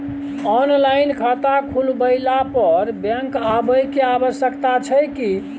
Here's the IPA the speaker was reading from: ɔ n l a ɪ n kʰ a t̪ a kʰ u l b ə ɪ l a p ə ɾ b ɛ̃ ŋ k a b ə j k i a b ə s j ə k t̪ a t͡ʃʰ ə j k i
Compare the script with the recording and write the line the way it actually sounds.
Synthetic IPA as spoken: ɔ n l a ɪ n kʰ a t̪ a kʰ u l b ə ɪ l a p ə ɾ b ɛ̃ ŋ k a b ə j k e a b ə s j ə k t̪ a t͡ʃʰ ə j k i

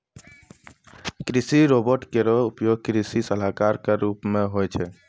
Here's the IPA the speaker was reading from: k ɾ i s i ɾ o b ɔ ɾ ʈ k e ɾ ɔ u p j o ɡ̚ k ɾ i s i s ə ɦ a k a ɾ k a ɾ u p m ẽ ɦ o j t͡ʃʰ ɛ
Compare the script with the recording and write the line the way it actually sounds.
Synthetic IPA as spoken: k ɾ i s i ɾ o b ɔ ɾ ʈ k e ɾ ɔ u p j o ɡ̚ k ɾ i s i s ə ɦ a k a ɾ k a ɾ u p m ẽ ɦ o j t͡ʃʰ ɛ

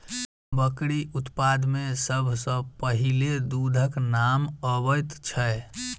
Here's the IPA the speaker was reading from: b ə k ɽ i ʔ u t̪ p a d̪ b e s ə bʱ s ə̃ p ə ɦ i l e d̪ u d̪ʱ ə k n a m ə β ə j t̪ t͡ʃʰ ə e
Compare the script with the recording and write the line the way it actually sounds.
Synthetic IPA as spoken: b ə k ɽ i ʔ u t̪ p a d̪ m e s ə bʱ s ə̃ p ə ɦ i l e d̪ u d̪ʱ ə k n a m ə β ə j t̪ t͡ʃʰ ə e

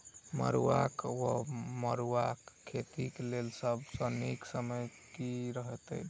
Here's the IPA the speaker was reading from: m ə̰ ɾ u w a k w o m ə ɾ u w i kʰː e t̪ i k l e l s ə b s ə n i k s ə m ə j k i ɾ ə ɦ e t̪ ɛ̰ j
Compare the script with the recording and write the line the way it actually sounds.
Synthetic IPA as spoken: m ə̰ ɾ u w a k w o m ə ɾ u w a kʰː e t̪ i k l e l s ə b s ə n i k s ə m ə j k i ɾ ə ɦ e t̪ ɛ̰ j

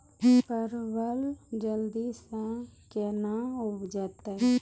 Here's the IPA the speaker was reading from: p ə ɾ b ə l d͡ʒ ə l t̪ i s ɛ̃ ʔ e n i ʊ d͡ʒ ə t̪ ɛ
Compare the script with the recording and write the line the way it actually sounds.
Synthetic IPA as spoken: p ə ɾ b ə l d͡ʒ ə l d̪ i s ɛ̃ k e n a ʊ d͡ʒ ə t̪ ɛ

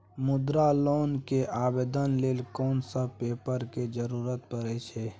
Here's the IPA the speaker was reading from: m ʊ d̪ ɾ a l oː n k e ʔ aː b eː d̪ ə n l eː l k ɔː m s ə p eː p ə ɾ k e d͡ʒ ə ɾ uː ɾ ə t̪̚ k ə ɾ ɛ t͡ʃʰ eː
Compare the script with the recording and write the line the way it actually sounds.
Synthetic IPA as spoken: m ʊ d̪ ɾ a l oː n k e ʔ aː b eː d̪ ə n l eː l k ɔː n s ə p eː p ə ɾ k e d͡ʒ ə ɾ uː ɾ ə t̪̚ p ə ɾ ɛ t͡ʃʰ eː

